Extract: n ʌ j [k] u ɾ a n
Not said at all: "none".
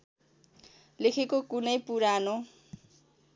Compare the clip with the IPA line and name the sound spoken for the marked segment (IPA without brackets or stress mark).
p